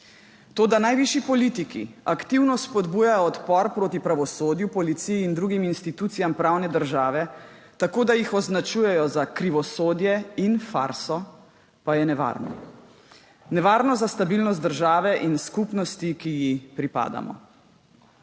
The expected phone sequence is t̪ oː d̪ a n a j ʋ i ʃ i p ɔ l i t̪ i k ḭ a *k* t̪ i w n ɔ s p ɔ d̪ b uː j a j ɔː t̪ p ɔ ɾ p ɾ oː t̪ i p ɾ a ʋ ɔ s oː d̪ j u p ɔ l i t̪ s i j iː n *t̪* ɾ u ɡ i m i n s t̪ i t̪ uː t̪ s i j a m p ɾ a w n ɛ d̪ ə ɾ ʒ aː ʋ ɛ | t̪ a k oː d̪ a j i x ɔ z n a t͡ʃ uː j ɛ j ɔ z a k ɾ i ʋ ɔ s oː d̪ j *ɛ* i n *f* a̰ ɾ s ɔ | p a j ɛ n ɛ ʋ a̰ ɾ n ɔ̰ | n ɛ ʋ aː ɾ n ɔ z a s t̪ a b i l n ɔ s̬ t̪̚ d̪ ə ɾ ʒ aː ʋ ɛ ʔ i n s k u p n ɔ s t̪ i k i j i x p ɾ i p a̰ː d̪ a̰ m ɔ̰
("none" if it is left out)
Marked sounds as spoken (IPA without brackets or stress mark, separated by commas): k, d̪, ɛ, f